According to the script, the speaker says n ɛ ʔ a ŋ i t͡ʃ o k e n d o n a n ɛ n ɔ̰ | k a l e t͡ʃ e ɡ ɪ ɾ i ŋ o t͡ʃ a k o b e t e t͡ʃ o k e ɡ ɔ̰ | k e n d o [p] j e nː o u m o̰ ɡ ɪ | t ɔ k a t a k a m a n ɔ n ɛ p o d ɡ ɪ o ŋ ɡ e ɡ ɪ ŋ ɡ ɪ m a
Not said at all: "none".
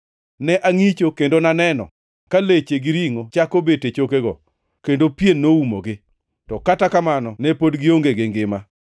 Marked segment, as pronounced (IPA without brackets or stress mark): p